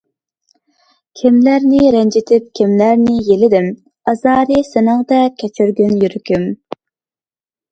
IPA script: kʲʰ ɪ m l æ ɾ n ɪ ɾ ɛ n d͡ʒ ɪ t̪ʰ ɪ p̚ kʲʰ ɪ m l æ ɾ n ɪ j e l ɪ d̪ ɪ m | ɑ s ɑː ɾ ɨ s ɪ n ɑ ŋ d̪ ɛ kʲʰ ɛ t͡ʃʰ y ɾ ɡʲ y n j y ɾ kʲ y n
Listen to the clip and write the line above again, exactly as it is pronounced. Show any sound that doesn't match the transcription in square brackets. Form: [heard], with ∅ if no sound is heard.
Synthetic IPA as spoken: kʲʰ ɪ m l æ ɾ n ɪ ɾ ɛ n d͡ʒ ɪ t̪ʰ ɪ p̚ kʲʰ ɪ m l æ ɾ n ɪ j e l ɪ d̪ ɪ m | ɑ [z] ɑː ɾ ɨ s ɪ n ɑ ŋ d̪ ɛ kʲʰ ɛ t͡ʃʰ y ɾ ɡʲ y n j y ɾ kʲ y [m]